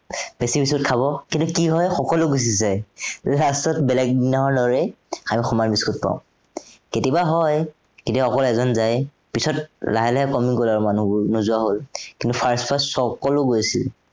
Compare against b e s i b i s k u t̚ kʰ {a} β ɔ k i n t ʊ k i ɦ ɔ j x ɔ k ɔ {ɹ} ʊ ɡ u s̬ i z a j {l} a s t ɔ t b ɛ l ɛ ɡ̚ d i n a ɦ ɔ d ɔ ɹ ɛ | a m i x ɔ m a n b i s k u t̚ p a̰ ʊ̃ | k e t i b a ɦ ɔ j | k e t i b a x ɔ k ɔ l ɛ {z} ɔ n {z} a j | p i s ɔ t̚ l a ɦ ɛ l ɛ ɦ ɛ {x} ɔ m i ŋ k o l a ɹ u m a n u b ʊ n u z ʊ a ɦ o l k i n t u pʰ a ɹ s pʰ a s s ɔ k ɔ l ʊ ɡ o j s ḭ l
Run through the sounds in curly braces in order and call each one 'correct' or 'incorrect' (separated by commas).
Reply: correct, incorrect, correct, correct, correct, incorrect